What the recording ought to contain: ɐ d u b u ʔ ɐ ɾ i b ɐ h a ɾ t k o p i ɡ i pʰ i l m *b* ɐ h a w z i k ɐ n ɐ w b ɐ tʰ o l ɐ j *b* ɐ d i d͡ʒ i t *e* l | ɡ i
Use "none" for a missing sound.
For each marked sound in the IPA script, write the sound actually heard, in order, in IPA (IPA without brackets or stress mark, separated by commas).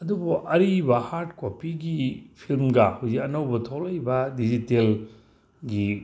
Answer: ɡ, b, e